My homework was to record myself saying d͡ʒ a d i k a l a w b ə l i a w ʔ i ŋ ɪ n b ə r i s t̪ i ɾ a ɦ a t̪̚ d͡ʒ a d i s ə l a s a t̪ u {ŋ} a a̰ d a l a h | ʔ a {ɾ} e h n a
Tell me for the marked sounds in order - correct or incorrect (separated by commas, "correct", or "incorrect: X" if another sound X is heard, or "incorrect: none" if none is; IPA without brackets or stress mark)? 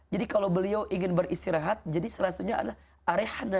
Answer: incorrect: ɲ, correct